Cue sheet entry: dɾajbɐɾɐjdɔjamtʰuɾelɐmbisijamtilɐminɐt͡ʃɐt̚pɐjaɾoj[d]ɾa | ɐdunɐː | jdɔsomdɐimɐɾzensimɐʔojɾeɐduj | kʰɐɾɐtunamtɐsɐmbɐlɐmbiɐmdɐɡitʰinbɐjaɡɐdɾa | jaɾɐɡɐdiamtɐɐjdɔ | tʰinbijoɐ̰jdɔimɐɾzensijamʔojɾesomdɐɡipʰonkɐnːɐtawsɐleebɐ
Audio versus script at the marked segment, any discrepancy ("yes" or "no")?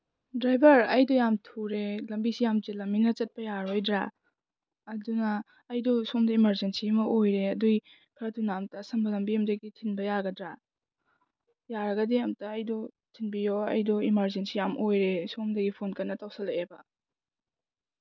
no